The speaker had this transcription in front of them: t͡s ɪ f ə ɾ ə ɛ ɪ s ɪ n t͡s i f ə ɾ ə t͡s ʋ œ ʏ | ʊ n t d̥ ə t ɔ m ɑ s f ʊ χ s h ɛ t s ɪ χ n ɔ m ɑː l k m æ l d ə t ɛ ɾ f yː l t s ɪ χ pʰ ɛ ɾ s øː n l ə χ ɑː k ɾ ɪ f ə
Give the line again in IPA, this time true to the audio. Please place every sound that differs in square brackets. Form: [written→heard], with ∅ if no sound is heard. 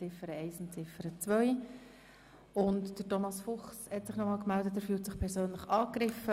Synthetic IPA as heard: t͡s ɪ f ə ɾ ə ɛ ɪ s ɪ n t͡s [i→ɪ] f ə ɾ ə t͡s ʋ œ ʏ | ʊ n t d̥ ə t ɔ m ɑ s f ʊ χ s h ɛ t s ɪ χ n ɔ m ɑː l k m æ l d ə t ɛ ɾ f yː l t s ɪ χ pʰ ɛ ɾ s øː n l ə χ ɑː k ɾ ɪ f ə